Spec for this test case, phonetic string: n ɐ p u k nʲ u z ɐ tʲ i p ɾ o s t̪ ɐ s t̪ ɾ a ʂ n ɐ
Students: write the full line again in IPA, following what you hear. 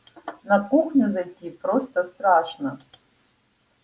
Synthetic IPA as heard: n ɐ k u x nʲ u z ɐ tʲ i p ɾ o s t̪ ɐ s t̪ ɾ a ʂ n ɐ